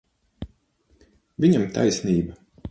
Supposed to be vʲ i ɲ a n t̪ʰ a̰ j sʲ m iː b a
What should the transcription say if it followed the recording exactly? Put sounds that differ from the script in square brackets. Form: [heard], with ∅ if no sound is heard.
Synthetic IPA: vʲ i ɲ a [m] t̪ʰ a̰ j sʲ [n] iː b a